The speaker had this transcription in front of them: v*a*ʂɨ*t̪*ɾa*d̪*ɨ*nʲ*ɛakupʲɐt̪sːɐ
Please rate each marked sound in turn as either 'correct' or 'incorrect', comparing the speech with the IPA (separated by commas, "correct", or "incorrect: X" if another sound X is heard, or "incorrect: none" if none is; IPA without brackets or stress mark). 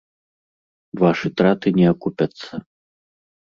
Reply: correct, correct, incorrect: t̪, correct